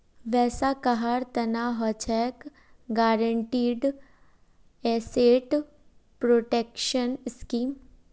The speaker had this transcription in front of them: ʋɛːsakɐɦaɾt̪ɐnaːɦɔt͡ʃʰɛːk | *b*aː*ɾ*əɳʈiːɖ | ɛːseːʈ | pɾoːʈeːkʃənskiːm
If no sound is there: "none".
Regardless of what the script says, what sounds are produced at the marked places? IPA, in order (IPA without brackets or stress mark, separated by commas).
ɡ, ɾ